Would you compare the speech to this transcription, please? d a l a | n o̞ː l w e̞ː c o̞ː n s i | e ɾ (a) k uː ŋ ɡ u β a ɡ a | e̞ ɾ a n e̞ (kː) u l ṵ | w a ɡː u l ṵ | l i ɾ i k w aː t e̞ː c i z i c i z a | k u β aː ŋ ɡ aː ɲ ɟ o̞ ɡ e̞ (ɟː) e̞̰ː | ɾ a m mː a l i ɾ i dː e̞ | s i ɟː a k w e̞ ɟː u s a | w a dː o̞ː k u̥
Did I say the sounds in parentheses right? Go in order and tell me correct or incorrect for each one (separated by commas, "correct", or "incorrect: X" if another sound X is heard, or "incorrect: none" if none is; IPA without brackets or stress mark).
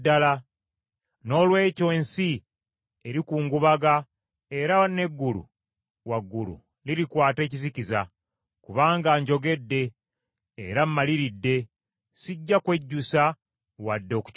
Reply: incorrect: i, incorrect: ɡː, incorrect: dː